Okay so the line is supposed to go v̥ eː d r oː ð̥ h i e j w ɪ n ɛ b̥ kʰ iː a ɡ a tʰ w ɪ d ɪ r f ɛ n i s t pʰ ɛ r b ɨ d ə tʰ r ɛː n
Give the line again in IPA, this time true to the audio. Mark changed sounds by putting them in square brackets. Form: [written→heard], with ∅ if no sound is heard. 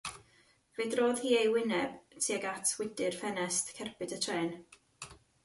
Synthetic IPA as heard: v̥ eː d r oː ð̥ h [i→iː] e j w ɪ n ɛ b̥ [kʰ→tʰ] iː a ɡ a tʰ w ɪ d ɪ r f ɛ n [i→ɛ] s t [pʰ→kʰ] ɛ r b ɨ d ə tʰ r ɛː n